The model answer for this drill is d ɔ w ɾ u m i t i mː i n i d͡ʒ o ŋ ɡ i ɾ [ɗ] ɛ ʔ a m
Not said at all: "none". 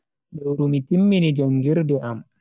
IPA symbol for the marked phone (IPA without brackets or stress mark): d